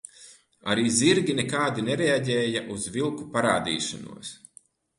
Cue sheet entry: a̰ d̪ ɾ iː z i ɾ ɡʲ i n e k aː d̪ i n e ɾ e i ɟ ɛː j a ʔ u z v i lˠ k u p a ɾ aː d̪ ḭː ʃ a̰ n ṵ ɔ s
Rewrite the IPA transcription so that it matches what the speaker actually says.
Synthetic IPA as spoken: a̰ ɾ iː z i ɾ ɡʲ i n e k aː d̪ i n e ɾ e a ɟ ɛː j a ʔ u z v i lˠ k u p a ɾ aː d̪ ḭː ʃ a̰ n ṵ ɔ s